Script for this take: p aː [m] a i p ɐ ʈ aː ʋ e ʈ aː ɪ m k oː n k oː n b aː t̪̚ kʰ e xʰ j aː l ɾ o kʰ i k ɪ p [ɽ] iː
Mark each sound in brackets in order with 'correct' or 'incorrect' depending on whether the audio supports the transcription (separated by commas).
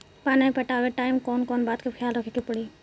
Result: incorrect, correct